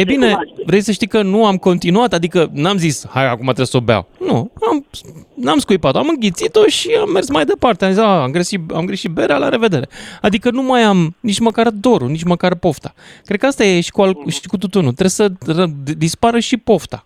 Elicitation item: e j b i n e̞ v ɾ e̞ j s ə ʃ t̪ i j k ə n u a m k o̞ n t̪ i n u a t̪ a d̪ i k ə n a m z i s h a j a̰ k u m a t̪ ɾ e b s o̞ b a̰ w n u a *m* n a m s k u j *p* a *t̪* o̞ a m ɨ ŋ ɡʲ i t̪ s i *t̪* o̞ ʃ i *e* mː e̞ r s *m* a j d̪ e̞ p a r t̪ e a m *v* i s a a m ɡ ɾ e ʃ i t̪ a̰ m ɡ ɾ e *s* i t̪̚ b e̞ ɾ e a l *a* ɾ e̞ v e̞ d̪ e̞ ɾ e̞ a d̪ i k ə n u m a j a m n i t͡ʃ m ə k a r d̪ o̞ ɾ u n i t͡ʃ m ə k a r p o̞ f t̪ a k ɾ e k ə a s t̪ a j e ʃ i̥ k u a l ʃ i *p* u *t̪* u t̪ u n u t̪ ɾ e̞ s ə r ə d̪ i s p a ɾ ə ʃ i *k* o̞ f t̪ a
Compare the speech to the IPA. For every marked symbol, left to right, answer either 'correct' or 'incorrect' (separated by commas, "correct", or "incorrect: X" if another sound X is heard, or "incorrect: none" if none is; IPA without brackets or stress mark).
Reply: correct, correct, correct, correct, incorrect: a, correct, incorrect: z, incorrect: ʃ, correct, incorrect: k, correct, incorrect: p